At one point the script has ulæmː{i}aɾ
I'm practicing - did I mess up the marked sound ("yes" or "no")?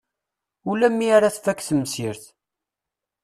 no